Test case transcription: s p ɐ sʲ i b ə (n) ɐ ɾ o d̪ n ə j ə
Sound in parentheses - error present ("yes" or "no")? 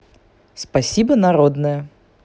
no